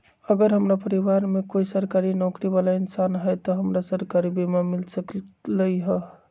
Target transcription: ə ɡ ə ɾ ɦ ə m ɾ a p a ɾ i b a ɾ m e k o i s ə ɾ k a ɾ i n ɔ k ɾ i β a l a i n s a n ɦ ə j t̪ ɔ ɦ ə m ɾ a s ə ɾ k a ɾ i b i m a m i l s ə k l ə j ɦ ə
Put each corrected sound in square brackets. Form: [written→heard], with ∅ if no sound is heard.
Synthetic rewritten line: ə ɡ ə ɾ ɦ ə m ɾ a p [a→ə] ɾ i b a ɾ m e k o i s ə ɾ k a ɾ i n ɔ k ɾ i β a l a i n s a n ɦ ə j t̪ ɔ ɦ ə m ɾ a s ə ɾ k a ɾ i b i m a m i l s ə k l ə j ɦ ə